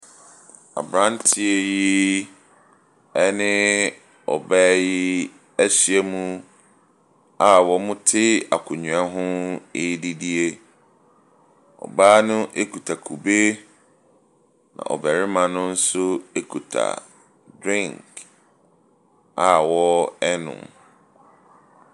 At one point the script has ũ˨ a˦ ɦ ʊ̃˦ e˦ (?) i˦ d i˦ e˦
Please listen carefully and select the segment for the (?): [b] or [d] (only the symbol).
d